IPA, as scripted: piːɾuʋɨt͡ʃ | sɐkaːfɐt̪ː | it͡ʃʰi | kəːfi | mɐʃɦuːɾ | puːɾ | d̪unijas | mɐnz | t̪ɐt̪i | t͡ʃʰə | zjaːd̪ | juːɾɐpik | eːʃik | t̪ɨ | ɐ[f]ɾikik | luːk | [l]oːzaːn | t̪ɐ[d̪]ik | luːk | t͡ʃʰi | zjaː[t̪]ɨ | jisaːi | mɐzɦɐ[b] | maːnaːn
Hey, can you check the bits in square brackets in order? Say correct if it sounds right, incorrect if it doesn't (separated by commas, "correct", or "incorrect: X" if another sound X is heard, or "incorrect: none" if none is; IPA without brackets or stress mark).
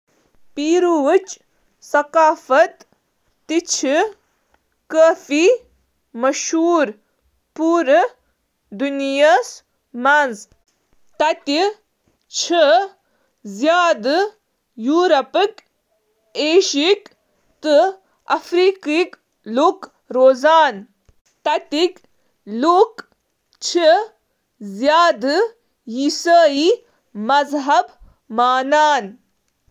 correct, incorrect: ɾ, incorrect: t̪, incorrect: d̪, correct